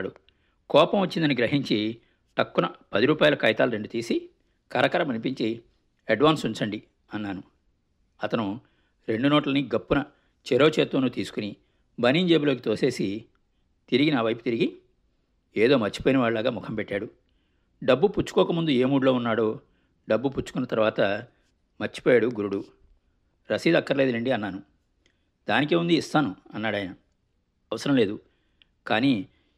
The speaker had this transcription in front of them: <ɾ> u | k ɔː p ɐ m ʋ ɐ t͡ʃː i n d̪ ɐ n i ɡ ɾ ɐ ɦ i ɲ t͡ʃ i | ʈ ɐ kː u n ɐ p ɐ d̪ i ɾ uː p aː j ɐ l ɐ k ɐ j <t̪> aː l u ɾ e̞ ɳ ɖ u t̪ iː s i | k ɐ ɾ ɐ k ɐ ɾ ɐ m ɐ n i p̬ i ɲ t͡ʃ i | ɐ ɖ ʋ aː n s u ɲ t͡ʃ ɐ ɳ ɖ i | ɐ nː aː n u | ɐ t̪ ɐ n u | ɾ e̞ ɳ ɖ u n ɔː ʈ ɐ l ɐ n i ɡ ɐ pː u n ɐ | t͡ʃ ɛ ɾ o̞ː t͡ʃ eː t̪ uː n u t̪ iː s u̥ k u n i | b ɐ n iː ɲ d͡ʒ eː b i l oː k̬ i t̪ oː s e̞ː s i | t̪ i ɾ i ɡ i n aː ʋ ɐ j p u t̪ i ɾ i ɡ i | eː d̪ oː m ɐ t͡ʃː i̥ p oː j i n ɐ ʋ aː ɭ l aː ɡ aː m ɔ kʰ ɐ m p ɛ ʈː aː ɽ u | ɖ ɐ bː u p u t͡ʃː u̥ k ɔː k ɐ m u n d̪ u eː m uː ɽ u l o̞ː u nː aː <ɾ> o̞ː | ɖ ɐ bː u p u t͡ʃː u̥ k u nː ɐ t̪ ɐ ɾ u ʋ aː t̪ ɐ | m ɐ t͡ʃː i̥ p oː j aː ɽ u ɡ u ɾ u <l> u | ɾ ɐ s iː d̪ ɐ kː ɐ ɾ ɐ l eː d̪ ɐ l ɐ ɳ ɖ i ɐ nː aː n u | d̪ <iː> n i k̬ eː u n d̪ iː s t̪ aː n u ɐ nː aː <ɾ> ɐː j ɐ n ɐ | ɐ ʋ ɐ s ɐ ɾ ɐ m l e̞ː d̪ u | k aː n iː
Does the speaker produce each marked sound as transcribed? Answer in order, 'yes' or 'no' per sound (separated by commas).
no, yes, no, no, no, no